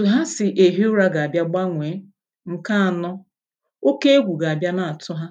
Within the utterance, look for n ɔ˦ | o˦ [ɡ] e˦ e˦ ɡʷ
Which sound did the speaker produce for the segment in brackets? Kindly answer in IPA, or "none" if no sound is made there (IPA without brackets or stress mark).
k